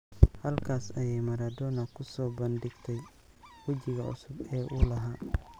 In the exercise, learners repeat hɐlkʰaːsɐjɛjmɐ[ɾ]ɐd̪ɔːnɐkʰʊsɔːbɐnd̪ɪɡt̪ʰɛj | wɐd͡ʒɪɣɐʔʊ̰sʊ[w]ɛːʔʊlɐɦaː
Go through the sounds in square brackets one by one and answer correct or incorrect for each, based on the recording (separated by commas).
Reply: correct, incorrect